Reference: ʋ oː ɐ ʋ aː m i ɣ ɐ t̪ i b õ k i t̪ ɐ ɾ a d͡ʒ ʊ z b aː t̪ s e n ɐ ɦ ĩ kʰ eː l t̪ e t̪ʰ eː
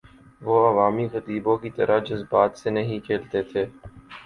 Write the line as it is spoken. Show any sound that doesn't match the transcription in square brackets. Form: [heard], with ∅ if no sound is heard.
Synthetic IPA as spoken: ʋ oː ɐ ʋ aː m i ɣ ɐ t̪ [iː] b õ k i t̪ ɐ ɾ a d͡ʒ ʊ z b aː t̪ s e n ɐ ɦ ĩ kʰ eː l t̪ e t̪ʰ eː